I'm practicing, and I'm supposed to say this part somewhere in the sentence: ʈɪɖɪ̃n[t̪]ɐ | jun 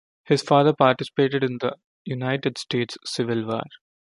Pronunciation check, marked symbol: incorrect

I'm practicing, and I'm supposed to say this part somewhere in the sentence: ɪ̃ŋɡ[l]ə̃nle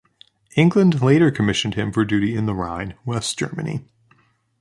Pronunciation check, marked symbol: correct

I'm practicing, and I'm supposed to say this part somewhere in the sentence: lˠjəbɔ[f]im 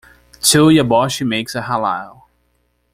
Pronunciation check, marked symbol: incorrect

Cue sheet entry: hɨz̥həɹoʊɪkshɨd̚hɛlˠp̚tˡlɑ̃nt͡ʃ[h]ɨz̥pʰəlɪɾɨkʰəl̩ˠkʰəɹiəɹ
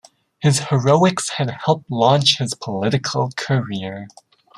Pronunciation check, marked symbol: correct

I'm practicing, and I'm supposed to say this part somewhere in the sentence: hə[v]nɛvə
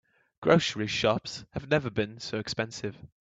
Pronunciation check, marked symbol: correct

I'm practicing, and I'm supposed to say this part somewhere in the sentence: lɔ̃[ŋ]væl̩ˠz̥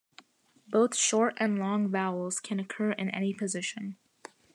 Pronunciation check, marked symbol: correct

